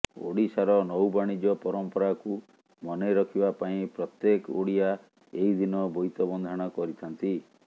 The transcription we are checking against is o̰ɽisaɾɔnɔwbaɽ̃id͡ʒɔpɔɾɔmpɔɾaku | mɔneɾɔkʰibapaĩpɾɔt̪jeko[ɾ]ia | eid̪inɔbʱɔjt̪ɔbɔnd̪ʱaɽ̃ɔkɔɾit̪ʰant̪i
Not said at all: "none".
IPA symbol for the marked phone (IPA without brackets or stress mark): ɽ